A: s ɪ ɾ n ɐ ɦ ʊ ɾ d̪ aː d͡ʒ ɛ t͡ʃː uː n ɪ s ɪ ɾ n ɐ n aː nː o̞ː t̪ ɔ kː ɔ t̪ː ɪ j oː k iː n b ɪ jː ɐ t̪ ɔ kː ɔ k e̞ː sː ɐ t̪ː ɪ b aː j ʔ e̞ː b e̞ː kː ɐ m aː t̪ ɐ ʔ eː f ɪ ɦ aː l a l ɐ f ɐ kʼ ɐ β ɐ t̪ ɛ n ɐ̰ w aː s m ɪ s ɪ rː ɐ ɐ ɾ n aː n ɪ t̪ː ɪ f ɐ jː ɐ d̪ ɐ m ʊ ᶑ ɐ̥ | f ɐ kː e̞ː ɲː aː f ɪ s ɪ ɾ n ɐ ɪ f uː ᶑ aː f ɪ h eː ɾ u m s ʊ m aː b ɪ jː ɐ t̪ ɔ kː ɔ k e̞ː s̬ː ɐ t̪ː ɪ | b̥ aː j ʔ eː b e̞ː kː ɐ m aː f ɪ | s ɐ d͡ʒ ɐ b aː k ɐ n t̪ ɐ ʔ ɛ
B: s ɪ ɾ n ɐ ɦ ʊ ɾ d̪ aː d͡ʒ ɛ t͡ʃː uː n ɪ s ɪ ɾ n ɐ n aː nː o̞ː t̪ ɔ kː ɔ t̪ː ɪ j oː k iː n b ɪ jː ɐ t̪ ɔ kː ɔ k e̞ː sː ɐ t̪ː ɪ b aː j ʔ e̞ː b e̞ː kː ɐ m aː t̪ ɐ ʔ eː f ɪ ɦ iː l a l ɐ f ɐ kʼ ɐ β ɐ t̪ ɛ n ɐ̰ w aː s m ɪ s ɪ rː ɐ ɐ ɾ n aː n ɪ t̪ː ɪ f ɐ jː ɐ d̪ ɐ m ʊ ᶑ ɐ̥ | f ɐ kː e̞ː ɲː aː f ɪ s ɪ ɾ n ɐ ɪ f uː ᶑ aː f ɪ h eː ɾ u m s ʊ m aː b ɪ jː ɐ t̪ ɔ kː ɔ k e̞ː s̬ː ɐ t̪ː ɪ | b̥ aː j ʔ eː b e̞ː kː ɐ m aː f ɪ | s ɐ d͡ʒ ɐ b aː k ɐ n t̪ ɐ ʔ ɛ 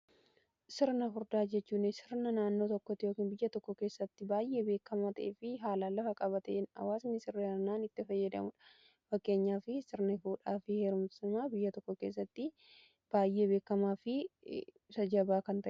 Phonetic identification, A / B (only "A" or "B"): A